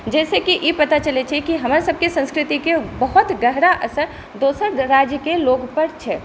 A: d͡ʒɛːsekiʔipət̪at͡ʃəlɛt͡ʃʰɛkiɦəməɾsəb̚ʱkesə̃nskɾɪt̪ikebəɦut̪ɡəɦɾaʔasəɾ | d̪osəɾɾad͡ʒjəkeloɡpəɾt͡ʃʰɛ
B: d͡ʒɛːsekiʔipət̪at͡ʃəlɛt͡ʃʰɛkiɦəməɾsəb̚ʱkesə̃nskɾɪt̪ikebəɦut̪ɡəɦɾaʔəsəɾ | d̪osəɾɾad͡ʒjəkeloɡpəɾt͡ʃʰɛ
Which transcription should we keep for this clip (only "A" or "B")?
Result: B